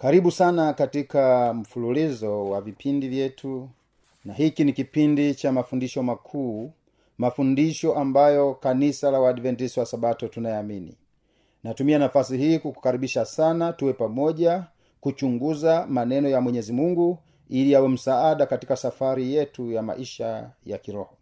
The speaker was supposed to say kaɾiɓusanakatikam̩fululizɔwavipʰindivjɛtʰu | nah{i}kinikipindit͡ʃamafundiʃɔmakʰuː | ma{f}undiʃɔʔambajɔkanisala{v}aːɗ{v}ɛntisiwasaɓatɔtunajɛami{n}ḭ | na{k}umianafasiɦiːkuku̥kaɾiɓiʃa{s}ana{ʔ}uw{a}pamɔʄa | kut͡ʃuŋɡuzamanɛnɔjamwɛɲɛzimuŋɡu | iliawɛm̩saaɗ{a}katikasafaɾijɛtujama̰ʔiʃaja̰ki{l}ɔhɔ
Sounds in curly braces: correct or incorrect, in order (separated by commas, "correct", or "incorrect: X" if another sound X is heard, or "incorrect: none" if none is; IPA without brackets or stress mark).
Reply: correct, correct, incorrect: w, correct, correct, incorrect: t, correct, incorrect: t, incorrect: ɛ, correct, incorrect: ɾ